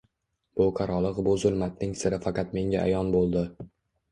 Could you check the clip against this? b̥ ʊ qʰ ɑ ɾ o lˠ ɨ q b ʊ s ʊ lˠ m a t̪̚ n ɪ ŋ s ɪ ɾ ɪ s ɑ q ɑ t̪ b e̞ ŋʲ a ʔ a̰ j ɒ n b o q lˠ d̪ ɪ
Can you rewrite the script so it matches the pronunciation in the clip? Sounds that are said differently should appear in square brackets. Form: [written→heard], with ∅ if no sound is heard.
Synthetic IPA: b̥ ʊ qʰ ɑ ɾ [o→ɒ] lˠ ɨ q b ʊ [s→z] ʊ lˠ m a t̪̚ n ɪ ŋ s ɪ ɾ ɪ [s→f] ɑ q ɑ t̪ [b→m] e̞ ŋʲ a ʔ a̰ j ɒ n b o [q→∅] lˠ d̪ ɪ